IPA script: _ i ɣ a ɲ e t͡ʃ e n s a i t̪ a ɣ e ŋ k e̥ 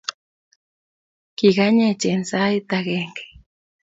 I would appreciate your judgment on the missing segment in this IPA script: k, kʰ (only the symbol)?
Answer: k